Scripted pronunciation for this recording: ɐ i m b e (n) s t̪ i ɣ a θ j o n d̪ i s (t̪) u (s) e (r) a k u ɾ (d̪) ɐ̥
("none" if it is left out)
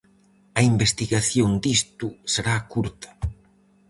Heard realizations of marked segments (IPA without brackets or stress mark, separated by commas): none, t̪, s, ɾ, t̪